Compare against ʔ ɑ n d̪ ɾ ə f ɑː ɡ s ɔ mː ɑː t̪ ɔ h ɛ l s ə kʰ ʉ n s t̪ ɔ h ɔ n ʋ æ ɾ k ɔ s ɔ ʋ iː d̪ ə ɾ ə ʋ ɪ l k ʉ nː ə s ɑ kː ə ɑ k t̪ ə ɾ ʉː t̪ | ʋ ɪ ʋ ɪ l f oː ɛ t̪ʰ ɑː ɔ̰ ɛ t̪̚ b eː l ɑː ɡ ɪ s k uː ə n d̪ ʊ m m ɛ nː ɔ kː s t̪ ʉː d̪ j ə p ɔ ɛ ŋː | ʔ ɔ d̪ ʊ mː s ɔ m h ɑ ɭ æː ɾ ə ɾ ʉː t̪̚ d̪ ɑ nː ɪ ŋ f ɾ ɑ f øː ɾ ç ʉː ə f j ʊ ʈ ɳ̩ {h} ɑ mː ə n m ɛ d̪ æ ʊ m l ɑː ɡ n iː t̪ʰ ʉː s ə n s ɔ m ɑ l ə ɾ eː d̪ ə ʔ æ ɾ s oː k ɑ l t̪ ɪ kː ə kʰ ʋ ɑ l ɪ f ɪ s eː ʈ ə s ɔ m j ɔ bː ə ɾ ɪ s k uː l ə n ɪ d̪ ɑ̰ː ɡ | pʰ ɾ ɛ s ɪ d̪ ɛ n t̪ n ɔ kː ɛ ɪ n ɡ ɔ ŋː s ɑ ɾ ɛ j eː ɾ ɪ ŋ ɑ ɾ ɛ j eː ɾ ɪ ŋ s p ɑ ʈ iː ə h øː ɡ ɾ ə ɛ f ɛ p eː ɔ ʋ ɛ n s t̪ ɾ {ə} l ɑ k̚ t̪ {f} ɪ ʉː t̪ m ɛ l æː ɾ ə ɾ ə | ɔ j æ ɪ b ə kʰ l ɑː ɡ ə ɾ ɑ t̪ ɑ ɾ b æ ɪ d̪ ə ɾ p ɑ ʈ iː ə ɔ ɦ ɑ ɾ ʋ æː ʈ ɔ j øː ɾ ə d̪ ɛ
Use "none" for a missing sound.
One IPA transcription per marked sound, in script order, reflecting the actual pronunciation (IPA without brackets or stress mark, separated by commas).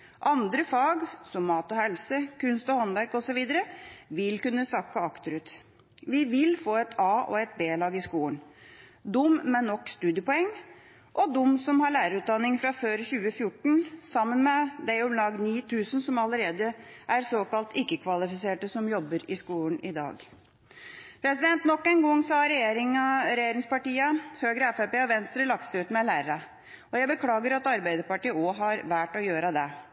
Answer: s, ə, s